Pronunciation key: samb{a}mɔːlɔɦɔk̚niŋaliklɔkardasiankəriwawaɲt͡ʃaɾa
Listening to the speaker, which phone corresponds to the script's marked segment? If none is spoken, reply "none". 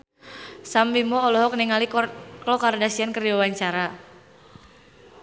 i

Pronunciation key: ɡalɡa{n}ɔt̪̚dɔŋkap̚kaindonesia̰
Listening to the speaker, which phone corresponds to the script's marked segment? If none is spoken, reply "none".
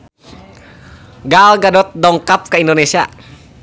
d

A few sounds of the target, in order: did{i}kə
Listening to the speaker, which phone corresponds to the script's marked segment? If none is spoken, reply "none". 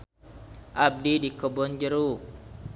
i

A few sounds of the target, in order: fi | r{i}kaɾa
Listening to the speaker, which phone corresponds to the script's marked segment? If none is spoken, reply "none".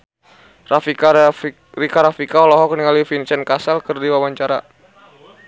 i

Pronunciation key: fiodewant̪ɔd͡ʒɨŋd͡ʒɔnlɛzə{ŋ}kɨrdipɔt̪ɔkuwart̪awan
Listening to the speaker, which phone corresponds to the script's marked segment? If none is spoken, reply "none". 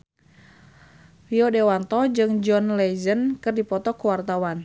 n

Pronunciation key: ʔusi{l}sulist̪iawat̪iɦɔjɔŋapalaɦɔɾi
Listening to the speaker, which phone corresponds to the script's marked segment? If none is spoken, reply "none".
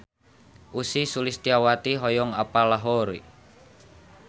none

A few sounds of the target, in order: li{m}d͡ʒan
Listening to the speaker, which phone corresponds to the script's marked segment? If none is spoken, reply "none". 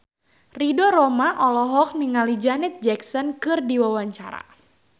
none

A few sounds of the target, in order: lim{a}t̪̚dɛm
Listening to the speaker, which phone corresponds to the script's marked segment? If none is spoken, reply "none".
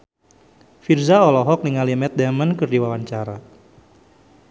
ɛ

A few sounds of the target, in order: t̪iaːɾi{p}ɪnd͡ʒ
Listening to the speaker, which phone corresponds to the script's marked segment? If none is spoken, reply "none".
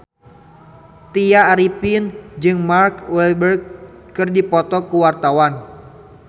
p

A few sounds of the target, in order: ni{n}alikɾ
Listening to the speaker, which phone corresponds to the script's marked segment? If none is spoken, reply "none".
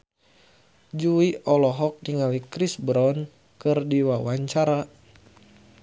ŋ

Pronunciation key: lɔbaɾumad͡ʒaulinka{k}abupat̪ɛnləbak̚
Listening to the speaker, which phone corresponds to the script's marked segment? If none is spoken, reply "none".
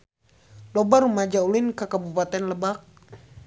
k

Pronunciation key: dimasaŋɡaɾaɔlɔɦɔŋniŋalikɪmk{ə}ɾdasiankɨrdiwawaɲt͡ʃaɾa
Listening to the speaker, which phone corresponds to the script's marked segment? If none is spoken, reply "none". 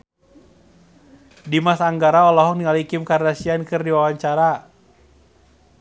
a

